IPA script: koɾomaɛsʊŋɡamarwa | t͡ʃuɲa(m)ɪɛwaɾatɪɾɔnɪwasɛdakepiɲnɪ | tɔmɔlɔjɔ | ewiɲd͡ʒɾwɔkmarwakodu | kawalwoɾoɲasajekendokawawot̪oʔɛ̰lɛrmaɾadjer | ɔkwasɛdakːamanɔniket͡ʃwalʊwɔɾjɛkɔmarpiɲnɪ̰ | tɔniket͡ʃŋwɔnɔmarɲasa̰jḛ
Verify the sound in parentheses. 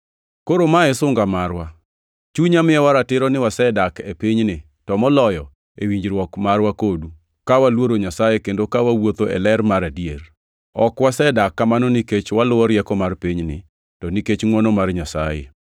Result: correct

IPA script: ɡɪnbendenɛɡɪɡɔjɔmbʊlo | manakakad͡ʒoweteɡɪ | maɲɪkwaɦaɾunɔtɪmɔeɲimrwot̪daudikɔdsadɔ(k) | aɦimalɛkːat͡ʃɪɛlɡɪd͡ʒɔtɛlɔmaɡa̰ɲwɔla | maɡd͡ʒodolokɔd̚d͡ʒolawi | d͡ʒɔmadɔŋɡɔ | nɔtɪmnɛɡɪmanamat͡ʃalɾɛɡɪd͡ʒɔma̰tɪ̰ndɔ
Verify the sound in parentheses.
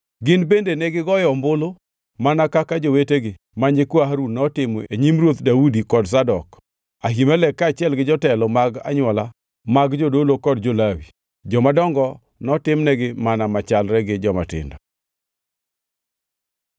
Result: correct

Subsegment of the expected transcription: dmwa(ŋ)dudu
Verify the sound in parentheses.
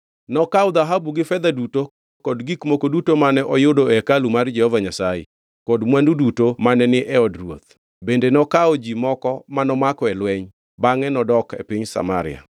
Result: incorrect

